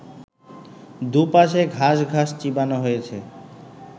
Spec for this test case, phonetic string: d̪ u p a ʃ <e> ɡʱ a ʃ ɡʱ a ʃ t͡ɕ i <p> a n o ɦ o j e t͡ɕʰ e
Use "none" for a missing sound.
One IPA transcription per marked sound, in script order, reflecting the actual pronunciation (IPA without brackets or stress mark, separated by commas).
e, b